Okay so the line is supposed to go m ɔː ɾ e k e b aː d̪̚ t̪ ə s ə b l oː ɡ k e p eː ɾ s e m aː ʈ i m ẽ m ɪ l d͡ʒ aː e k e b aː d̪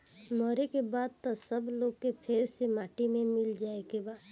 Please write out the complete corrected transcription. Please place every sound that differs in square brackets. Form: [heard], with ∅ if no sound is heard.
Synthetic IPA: m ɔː ɾ e k e b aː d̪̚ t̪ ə s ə b l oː ɡ k e [pʰ] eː ɾ s e m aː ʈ i m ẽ m ɪ l d͡ʒ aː e k e b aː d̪